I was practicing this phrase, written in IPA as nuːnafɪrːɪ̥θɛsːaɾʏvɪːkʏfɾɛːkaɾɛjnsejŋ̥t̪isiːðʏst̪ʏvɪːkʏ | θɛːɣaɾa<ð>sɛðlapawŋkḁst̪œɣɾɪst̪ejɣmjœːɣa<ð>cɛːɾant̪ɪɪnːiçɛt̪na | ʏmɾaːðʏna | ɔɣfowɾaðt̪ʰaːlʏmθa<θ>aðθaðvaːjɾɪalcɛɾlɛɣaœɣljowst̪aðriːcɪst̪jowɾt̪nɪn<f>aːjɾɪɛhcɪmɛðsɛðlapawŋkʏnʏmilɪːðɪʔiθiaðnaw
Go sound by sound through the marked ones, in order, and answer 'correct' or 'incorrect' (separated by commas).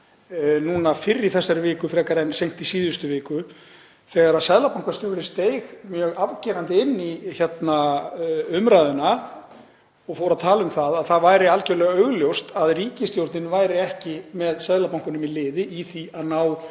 correct, incorrect, incorrect, incorrect